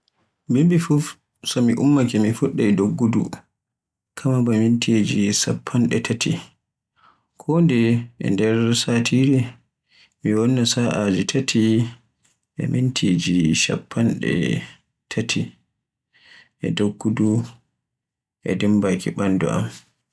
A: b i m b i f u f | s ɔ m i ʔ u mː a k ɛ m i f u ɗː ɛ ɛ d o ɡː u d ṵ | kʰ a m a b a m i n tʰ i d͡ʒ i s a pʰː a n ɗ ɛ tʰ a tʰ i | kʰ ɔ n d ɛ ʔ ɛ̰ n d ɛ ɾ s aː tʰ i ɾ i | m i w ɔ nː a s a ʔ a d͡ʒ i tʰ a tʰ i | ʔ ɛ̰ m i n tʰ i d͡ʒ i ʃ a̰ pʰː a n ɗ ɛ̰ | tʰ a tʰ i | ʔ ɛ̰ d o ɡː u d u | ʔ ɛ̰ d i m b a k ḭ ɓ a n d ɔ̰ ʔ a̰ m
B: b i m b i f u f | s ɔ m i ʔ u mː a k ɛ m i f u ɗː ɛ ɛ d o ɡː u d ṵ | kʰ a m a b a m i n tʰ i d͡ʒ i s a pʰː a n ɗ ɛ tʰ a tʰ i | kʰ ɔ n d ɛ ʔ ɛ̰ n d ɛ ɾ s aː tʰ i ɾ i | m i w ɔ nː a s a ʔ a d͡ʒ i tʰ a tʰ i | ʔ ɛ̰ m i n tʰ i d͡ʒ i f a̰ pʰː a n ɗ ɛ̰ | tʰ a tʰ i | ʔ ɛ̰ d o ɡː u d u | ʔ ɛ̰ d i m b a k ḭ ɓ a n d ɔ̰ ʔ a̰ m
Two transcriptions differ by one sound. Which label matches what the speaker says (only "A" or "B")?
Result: A